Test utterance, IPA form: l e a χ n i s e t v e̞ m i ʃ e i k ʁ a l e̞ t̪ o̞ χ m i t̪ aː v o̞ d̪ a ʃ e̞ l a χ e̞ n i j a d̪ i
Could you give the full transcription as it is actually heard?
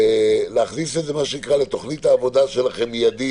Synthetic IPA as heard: l e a χ n i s e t z e̞ m a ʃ e i k ʁ a l e̞ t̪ o̞ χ n i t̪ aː v o̞ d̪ a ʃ e̞ l a χ e̞ m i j a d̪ i